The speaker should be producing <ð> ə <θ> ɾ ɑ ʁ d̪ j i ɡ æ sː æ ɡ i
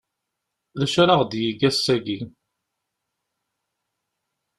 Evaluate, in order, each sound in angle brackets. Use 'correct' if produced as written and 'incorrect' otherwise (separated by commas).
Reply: correct, incorrect